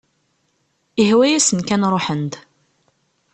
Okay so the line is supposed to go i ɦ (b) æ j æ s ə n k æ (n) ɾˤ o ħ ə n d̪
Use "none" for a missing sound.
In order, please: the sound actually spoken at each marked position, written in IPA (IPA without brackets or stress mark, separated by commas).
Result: w, n